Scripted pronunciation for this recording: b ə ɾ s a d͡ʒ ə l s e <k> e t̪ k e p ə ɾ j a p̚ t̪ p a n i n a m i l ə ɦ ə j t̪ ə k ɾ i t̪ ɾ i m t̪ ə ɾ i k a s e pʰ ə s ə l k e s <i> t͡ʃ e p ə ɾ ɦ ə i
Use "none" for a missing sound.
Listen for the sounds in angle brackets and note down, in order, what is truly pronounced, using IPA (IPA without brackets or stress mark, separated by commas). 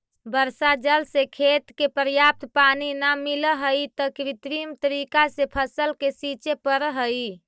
kʰ, i